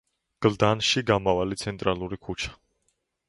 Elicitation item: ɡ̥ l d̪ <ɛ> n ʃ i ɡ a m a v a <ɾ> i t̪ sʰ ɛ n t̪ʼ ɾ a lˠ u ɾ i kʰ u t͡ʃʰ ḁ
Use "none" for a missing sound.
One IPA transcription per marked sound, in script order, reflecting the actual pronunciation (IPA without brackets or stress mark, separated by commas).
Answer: a, l